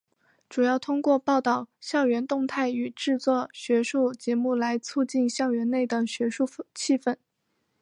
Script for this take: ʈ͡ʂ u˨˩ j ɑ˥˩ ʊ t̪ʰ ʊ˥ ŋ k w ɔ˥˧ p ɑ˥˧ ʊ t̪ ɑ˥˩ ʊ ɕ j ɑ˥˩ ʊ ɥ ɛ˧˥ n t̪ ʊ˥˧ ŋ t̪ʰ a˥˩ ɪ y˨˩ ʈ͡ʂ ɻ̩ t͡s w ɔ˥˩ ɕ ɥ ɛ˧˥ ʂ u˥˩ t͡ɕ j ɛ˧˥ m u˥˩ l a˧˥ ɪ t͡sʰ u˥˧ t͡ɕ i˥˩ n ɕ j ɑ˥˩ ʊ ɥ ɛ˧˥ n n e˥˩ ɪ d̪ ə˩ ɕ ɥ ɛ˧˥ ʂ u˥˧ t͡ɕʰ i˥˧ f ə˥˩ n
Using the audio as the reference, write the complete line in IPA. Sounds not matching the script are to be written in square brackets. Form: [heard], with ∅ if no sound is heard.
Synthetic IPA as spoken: ʈ͡ʂ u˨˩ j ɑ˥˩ ʊ t̪ʰ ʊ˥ ŋ k w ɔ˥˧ p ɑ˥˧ ʊ t̪ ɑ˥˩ ʊ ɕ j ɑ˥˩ ʊ ɥ ɛ˧˥ n t̪ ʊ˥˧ ŋ t̪ʰ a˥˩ ɪ y˨˩ ʈ͡ʂ ɻ̩ t͡s w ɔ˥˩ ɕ ɥ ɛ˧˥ ʂ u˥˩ t͡ɕ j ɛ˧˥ m u˥˩ l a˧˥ ɪ t͡sʰ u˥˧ t͡ɕ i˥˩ n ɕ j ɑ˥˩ ʊ ɥ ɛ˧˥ n n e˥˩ ɪ d̪ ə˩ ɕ ɥ ɛ˧˥ ʂ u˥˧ t͡ɕʰ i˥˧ f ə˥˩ n